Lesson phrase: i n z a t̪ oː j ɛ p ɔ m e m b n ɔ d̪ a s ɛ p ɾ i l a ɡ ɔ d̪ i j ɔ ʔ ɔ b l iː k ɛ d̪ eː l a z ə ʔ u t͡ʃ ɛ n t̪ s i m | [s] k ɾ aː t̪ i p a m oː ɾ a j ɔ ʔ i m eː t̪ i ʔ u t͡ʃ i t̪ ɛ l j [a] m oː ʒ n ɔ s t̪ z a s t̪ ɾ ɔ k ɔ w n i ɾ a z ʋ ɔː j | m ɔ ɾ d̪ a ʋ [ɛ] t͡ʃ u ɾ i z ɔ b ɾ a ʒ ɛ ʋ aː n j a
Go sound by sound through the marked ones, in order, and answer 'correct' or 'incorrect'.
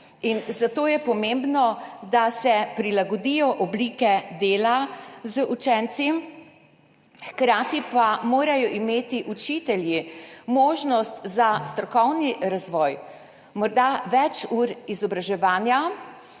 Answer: incorrect, incorrect, correct

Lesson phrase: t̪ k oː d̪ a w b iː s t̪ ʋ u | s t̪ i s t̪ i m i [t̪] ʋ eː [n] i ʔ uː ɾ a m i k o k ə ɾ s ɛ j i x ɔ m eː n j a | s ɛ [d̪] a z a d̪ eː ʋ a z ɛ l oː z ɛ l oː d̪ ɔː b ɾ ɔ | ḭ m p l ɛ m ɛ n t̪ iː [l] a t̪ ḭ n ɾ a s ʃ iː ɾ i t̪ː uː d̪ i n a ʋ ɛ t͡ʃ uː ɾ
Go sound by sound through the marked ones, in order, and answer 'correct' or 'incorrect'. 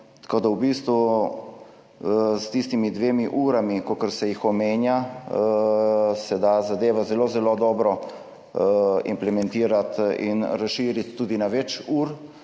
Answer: incorrect, incorrect, correct, incorrect

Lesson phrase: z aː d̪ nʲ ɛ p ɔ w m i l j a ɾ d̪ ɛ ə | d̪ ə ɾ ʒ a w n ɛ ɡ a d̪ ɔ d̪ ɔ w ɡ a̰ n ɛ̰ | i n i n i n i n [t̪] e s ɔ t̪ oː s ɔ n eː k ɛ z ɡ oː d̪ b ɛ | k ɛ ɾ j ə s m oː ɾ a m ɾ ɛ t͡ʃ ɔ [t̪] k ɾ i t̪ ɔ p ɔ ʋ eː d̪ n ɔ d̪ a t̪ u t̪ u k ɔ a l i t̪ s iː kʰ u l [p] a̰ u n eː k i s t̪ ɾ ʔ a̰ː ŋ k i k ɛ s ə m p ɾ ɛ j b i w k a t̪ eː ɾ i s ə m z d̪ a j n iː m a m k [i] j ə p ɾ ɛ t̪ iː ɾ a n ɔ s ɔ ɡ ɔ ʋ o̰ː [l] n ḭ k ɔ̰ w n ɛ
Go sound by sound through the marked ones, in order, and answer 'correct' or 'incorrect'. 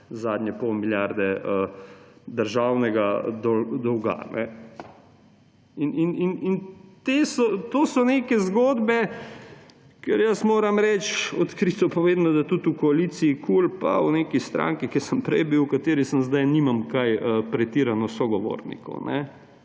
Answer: correct, correct, correct, incorrect, incorrect

